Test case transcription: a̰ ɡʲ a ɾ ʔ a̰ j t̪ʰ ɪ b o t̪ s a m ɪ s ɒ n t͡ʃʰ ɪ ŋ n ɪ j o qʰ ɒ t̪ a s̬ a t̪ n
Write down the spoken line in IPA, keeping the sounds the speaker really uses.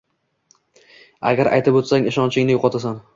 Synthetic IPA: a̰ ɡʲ a ɾ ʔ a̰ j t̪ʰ ɪ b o t̪ s a ŋ ɪ ʃ ɒ n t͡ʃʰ ɪ ŋ n ɪ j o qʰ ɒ t̪ a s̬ a n